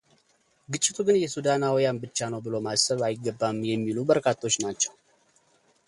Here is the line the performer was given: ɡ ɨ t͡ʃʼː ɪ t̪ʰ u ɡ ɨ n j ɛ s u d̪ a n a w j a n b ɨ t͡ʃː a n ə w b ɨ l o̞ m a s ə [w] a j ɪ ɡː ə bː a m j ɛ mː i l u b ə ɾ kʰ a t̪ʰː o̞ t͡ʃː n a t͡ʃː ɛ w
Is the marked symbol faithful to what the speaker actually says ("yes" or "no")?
no